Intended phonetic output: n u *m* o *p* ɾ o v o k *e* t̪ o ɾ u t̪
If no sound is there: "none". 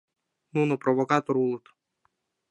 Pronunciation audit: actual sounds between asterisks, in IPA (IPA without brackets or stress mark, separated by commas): n, p, a